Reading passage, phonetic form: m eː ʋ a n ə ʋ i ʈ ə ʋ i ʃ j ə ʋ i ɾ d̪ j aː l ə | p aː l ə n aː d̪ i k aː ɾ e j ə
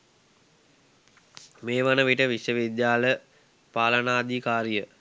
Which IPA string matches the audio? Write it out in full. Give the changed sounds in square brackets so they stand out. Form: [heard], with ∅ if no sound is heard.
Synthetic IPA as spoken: m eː ʋ a n ə ʋ i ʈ ə ʋ i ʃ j ə ʋ i [∅] d̪ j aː l ə | p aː l ə n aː d̪ i k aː ɾ [i] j ə